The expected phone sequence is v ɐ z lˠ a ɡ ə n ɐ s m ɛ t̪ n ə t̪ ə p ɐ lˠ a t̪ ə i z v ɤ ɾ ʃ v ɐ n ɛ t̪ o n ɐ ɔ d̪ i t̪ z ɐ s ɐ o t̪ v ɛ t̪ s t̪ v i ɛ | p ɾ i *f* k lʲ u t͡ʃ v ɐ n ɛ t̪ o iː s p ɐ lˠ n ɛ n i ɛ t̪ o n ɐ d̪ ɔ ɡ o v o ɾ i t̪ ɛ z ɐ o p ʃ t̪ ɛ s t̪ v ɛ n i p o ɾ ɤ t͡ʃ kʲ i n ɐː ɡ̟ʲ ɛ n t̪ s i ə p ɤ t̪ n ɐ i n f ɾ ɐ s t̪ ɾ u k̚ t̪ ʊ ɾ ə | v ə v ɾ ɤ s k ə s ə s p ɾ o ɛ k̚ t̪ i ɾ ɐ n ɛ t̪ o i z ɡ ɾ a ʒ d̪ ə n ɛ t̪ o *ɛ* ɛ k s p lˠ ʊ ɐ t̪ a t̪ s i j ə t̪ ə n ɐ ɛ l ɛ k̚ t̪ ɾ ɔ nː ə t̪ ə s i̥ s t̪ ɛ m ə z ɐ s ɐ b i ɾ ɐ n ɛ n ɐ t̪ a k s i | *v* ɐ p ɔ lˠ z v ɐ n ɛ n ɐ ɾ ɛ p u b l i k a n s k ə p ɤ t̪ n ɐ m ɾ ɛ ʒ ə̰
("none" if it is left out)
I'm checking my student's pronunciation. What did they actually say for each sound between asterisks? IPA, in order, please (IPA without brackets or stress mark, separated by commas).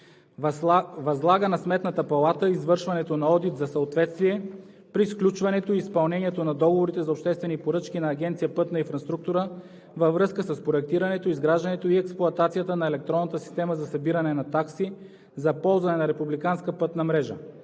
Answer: s, i, z